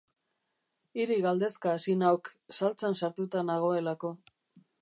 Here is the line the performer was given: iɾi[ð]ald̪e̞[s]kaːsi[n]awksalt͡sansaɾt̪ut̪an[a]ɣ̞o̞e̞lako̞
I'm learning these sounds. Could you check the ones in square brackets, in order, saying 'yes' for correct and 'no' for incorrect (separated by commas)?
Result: no, yes, yes, yes